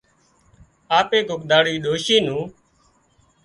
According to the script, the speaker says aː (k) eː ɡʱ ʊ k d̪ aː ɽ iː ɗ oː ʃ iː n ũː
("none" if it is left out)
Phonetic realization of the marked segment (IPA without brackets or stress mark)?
p